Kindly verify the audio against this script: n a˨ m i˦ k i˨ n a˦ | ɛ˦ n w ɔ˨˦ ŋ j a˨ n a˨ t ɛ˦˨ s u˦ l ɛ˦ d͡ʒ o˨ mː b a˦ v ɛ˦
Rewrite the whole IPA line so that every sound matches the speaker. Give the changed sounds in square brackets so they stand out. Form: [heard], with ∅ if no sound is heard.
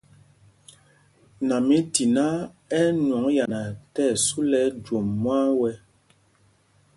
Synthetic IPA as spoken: n a˨ m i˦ [t] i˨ n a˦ | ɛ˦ n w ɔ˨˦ ŋ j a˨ n a˨ t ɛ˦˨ s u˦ l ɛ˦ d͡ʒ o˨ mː [w] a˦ [w] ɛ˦